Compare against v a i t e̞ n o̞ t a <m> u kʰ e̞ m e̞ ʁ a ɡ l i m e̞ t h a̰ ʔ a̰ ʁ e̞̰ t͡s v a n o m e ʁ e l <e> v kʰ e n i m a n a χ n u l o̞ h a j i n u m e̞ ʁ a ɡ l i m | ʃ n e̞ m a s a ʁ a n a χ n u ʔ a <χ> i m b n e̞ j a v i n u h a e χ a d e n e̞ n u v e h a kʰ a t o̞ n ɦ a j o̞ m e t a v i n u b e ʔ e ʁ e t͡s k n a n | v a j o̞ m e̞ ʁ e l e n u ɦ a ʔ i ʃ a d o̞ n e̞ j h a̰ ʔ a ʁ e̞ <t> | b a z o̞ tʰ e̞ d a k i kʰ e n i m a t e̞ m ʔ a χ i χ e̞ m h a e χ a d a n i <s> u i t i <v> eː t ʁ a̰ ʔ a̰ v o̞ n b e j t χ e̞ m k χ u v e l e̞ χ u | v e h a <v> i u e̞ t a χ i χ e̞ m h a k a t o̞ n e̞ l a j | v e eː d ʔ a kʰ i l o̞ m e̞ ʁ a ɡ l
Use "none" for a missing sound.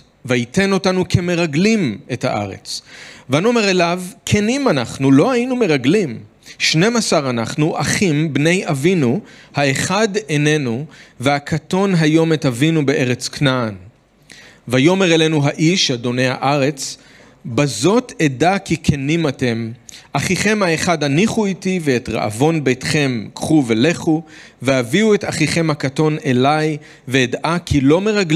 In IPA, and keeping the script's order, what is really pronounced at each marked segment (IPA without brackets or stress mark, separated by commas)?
n, a, χ, t͡s, χ, v, v